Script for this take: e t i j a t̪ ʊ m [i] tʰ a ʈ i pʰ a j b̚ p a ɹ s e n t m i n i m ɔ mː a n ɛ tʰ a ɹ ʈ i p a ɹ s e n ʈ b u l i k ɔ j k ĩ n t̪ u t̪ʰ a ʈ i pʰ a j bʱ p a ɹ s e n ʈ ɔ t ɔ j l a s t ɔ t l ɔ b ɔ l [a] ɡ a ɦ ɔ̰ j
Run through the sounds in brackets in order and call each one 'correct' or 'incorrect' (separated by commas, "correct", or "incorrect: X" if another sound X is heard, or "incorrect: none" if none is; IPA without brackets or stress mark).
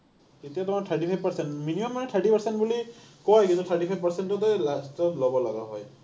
incorrect: a, correct